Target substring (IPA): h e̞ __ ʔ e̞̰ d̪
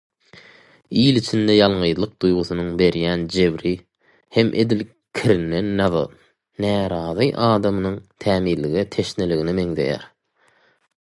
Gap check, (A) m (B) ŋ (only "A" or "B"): A